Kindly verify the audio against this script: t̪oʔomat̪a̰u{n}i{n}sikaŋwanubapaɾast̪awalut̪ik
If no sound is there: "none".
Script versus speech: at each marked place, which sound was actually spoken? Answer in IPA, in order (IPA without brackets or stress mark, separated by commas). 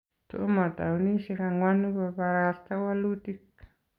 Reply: n, none